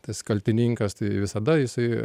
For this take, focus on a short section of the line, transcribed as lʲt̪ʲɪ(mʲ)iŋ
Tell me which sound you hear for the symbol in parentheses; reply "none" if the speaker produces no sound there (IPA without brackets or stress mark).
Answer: nʲ